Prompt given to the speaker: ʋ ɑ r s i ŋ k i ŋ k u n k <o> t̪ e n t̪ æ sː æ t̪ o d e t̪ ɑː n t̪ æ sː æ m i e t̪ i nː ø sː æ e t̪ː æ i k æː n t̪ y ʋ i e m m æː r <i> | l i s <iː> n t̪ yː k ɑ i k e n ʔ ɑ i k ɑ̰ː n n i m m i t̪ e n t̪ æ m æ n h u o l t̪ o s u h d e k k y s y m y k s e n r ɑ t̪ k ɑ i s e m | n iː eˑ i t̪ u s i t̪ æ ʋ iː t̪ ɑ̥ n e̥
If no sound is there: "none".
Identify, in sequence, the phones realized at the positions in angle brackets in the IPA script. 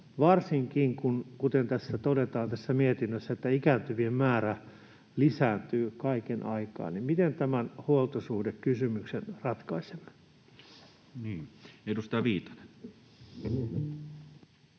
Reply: u, æ, æː

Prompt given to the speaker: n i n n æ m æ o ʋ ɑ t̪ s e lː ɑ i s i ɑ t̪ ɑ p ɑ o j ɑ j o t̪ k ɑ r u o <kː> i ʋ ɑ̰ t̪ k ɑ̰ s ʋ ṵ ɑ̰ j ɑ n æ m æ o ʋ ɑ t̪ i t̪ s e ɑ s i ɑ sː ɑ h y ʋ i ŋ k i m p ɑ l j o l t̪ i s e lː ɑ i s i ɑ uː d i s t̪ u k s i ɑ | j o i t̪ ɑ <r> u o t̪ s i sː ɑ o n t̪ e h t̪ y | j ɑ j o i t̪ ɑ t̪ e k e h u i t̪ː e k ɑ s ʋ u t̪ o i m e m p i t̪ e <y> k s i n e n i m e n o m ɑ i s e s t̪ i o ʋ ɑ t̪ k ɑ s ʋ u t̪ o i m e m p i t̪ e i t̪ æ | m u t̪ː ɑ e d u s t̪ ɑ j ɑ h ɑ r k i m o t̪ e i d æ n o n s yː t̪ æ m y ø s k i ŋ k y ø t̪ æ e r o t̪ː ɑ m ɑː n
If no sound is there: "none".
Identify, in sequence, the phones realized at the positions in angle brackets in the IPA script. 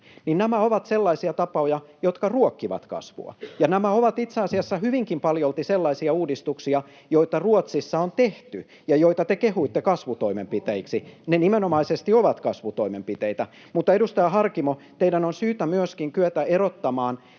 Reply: kː, r, i

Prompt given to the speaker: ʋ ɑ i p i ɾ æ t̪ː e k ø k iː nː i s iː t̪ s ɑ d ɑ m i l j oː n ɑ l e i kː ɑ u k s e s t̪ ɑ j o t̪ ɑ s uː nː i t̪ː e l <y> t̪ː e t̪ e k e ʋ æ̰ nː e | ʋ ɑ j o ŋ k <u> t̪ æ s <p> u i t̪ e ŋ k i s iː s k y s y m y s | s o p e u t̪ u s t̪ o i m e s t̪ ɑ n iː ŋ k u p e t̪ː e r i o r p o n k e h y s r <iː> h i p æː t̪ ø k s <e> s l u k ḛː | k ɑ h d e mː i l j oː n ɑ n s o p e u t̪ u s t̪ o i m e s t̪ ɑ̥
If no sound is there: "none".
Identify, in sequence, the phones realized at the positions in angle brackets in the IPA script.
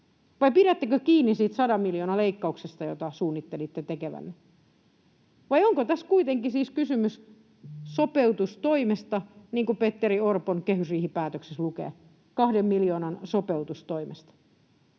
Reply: i, o, k, iː, e

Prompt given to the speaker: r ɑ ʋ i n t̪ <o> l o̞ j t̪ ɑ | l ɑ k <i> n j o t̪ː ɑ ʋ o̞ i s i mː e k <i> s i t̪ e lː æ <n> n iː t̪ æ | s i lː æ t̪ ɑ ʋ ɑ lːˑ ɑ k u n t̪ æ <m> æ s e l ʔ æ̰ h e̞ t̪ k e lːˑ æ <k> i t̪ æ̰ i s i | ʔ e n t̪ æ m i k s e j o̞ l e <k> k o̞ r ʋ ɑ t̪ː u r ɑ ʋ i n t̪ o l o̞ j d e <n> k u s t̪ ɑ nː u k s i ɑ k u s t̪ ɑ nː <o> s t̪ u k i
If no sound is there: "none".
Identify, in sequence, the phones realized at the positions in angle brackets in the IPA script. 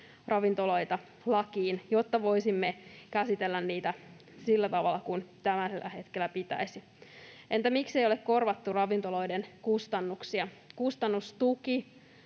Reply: o, iː, æ, n, m, p, k, n, u

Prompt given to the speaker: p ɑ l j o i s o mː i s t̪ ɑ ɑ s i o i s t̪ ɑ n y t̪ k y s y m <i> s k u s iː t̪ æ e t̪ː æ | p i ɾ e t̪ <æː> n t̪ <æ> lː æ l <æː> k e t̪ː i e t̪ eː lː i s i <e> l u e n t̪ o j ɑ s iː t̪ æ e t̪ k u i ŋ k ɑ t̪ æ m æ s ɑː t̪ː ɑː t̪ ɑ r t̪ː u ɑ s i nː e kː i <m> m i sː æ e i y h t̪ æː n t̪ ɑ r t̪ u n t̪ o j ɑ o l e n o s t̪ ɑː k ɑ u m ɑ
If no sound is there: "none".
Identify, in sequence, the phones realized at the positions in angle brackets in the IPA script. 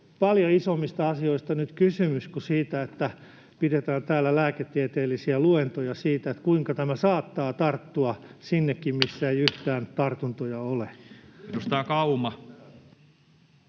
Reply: y, æː, æː, æː, æ, m

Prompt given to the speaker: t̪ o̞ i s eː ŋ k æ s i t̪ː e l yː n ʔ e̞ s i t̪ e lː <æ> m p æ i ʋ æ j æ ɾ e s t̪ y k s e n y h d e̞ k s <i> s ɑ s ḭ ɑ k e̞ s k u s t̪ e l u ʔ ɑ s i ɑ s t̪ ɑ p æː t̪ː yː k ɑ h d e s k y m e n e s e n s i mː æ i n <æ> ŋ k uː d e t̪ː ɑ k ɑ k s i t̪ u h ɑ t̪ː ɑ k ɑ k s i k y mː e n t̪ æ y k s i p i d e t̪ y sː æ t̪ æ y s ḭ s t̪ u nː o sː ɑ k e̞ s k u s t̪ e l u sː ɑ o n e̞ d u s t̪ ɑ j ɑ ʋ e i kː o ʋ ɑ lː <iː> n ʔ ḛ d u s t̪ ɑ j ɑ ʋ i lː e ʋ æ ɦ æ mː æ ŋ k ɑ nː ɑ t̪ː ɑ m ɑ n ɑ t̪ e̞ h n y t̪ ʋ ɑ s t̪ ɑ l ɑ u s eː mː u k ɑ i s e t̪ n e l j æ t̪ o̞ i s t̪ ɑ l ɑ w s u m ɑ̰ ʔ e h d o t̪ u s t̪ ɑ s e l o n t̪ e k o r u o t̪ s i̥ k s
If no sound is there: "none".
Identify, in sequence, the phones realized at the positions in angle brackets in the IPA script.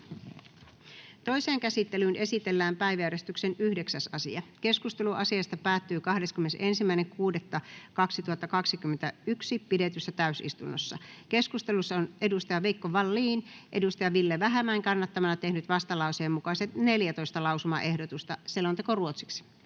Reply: æː, æ, e, iː

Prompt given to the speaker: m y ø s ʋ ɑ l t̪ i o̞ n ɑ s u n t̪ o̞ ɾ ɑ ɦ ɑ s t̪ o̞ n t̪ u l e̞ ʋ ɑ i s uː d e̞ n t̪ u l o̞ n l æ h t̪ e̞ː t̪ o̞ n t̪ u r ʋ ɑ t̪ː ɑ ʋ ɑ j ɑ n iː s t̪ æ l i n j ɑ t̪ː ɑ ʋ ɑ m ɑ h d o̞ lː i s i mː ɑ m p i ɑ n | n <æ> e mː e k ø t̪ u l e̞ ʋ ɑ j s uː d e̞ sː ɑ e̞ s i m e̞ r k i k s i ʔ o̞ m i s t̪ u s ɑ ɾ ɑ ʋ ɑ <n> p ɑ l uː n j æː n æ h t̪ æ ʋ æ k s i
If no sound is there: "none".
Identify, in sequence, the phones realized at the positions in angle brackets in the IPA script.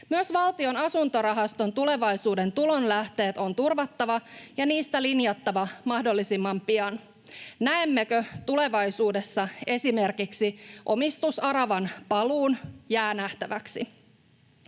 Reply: æ, n

